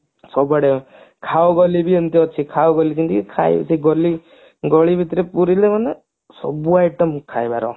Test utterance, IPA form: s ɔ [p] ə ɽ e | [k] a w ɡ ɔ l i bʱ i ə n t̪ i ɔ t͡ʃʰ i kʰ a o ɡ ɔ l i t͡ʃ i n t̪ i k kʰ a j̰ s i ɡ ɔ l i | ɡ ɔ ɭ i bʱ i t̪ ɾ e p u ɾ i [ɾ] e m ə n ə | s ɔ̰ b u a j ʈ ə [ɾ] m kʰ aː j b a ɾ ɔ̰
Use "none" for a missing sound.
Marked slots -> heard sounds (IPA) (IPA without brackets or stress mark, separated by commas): b, kʰ, l, none